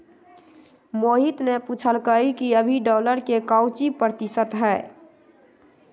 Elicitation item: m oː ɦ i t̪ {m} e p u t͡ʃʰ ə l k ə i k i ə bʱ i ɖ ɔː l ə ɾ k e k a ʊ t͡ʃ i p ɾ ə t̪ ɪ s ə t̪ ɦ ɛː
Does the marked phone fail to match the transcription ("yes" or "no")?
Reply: yes